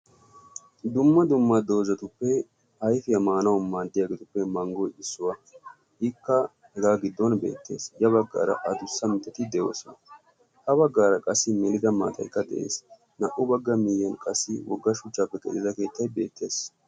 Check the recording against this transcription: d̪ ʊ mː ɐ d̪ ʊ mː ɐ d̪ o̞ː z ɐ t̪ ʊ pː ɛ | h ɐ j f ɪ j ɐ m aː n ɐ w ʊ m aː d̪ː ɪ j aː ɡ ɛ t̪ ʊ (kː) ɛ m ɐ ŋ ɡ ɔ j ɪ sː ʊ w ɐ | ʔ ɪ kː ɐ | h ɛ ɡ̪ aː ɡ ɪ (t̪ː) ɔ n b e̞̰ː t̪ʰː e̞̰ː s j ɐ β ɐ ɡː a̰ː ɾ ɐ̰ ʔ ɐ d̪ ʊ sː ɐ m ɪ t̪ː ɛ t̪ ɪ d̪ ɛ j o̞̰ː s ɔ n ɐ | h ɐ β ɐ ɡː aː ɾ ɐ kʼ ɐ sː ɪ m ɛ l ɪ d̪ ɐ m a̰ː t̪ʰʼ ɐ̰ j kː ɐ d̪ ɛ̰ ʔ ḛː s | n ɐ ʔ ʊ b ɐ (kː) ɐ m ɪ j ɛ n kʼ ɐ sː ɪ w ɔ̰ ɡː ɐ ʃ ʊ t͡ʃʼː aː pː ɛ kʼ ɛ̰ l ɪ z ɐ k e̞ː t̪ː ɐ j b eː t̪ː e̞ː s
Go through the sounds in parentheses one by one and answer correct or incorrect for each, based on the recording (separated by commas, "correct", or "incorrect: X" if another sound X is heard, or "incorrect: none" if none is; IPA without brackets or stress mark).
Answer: incorrect: pː, incorrect: d̪ː, incorrect: ɡː